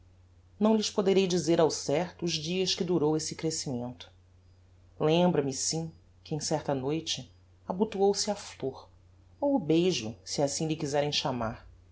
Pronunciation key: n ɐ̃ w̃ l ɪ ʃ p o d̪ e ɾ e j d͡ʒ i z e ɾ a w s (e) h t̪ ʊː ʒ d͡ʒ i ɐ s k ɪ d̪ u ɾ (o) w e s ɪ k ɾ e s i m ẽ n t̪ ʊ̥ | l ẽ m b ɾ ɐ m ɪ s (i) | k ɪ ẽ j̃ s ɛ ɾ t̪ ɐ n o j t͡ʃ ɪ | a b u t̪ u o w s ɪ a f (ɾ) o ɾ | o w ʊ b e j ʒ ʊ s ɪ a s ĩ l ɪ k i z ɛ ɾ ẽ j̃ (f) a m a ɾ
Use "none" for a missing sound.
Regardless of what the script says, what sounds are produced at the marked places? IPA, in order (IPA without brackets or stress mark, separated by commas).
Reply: ɛ, o, ĩ, l, ʃ